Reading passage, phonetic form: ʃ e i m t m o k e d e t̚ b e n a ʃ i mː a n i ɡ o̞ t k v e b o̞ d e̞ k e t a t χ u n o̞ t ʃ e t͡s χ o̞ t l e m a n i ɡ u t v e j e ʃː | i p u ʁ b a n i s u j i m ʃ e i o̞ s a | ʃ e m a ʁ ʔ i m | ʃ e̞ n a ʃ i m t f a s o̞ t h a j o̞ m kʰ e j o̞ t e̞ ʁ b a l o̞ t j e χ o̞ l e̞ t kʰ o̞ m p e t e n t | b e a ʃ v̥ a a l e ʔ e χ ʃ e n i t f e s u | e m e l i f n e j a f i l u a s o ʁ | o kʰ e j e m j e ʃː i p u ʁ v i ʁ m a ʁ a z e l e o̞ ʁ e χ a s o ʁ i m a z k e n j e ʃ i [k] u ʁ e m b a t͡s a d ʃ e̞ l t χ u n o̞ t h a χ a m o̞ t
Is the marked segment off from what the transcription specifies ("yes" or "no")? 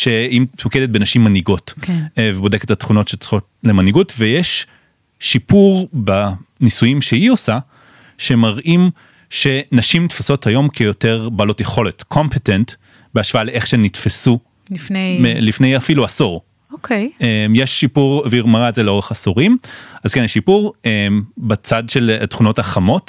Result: yes